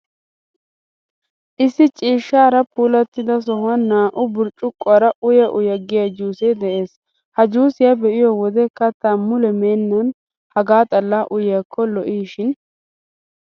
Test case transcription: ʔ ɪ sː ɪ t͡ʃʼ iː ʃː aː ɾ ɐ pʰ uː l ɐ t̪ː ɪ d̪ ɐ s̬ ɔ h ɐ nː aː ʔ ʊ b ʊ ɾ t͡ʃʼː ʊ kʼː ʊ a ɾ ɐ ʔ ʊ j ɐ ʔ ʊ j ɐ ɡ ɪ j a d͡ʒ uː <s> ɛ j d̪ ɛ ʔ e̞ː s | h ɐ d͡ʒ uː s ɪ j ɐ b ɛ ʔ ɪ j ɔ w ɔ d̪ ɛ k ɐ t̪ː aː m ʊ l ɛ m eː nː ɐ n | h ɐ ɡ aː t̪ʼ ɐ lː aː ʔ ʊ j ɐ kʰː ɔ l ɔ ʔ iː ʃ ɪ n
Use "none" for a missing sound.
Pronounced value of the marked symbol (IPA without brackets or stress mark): s